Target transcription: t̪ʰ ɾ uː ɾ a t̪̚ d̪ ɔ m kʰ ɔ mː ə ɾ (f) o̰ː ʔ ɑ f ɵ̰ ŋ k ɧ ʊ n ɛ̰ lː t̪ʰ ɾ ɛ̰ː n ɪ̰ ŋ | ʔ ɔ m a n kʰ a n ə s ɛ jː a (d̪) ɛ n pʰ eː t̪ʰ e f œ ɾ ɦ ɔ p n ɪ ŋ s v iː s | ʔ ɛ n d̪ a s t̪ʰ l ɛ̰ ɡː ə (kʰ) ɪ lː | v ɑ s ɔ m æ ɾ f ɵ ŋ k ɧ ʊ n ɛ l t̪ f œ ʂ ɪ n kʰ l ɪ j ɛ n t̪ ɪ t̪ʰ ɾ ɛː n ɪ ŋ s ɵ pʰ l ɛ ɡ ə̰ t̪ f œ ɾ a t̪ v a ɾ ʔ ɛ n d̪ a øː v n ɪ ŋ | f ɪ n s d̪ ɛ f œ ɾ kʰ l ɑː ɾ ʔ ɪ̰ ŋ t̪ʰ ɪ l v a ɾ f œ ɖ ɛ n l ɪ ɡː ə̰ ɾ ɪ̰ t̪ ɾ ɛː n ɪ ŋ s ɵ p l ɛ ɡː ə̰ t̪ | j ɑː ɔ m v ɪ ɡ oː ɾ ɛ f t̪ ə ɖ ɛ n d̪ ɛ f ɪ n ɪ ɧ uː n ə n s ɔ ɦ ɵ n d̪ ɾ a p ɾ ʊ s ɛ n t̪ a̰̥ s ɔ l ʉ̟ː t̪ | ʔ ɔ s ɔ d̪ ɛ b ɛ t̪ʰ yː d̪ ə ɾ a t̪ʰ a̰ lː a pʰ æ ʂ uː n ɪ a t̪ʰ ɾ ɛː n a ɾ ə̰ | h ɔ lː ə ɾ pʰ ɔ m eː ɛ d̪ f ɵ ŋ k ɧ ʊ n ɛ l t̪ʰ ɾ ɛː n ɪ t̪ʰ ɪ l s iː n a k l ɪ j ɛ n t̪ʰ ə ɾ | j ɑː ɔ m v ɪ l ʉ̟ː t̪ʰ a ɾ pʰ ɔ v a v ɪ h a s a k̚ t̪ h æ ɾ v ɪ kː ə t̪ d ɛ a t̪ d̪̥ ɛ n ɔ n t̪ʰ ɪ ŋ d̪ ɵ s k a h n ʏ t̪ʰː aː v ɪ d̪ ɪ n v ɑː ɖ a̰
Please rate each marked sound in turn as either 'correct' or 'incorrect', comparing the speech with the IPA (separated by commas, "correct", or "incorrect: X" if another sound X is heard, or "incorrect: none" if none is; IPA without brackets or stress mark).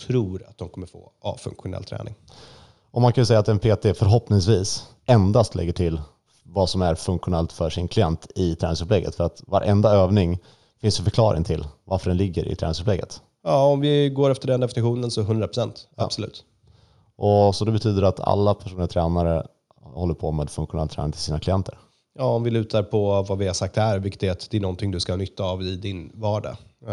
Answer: correct, incorrect: t̪, incorrect: ʈʰ